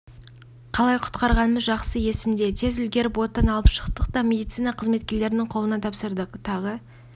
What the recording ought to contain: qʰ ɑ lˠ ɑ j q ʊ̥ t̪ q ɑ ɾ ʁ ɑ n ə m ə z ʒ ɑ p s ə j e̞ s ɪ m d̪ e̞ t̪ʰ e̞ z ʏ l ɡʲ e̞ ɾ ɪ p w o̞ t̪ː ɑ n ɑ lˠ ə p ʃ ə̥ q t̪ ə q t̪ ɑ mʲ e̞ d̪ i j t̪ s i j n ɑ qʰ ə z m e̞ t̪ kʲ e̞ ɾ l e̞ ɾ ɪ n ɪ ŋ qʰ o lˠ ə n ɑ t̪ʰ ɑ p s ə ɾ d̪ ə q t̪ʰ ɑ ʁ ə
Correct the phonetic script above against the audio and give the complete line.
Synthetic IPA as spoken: qʰ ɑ lˠ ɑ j qʰ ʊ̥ t̪ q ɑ ɾ ʁ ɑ n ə m ə z ʒ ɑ q s ə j e̞ s ɪ m d̪ e̞ t̪ʰ e̞ z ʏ l ɡʲ e̞ ɾ ɪ p w o̞ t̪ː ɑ n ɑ lˠ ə p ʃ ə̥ q t̪ ə q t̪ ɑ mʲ e̞ d̪ i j t̪ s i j n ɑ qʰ ə z m e̞ t̪ kʲ e̞ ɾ l e̞ ɾ ɪ n ɪ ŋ qʰ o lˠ ə n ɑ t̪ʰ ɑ p s ə ɾ d̪ ə q t̪ʰ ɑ ʁ ə